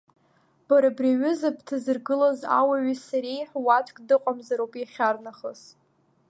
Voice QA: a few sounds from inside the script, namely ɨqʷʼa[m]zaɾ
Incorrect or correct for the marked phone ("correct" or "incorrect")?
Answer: correct